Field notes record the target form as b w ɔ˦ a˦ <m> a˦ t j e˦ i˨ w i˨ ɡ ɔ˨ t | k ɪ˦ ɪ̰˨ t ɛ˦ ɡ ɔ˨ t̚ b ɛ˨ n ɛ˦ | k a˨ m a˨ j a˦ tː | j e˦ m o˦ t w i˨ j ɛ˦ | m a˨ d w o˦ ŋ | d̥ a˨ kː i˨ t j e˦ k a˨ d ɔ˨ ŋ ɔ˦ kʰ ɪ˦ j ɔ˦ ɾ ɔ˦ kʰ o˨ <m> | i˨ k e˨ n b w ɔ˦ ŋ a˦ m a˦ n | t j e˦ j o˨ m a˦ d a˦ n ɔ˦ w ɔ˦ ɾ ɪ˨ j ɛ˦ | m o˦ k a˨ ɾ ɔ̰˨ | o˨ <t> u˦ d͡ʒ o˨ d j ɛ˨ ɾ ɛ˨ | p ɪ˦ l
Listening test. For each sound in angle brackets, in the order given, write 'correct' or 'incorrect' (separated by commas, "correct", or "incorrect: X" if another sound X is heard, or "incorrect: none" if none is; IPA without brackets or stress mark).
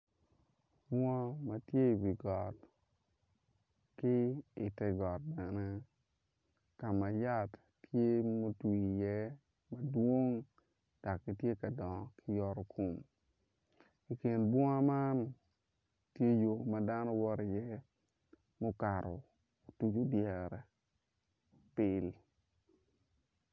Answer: correct, correct, correct